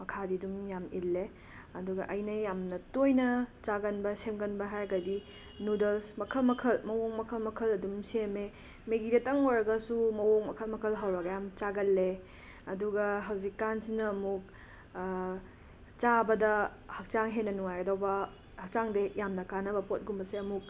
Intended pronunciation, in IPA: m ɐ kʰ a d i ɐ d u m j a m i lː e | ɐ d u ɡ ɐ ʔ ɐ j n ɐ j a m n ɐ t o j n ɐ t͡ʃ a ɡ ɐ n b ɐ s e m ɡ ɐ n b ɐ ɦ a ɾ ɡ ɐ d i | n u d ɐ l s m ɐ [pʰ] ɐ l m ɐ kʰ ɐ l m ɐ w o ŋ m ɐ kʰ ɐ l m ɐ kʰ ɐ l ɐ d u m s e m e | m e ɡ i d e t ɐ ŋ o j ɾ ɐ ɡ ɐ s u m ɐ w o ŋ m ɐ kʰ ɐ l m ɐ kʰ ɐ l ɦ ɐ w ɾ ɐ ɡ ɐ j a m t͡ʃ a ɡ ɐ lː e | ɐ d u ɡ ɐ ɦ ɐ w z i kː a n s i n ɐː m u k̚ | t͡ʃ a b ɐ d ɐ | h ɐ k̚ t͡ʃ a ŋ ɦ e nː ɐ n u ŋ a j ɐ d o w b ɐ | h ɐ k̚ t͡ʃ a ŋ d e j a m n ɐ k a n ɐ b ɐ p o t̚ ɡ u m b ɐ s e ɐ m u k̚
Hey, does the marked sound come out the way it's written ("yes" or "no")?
no